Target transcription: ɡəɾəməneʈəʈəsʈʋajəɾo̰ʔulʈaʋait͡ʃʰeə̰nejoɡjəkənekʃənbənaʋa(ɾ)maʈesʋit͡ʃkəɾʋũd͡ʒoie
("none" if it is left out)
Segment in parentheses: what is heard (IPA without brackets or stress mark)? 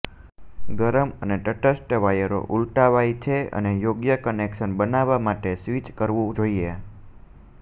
none